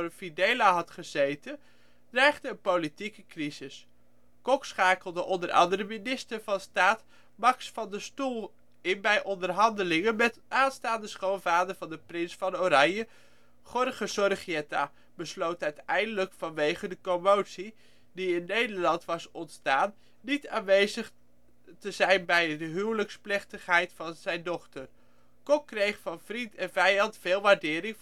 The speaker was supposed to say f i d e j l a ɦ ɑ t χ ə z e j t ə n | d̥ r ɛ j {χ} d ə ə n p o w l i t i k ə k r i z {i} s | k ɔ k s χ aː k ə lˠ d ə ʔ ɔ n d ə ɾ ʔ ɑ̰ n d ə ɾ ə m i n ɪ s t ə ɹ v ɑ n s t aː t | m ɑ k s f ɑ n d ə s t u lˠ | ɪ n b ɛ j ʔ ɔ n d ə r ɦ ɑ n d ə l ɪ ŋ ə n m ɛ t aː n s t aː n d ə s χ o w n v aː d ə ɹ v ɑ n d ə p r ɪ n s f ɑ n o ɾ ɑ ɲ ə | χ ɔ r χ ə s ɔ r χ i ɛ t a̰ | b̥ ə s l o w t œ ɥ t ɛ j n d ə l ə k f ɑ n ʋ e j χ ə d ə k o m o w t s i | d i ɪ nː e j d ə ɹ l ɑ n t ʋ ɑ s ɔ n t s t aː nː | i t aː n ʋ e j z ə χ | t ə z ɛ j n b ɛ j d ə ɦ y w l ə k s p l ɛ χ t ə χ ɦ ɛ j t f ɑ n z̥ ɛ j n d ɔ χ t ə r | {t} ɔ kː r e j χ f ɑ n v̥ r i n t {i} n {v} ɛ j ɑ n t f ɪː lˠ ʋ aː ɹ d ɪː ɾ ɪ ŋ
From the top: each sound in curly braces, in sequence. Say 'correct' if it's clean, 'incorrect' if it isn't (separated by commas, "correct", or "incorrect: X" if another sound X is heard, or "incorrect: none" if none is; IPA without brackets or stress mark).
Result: correct, incorrect: ɪ, incorrect: k, incorrect: ɛ, correct